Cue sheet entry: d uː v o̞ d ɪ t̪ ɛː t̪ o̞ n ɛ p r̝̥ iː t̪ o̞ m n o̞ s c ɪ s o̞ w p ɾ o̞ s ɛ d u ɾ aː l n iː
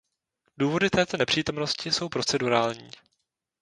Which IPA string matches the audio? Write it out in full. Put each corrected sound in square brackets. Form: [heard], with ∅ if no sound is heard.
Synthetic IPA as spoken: d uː v o̞ d ɪ t̪ ɛː t̪ o̞ n ɛ p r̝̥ iː t̪ o̞ m n o̞ s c ɪ s o̞ w p ɾ o̞ [t͡s] ɛ d u ɾ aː l [ɲ] iː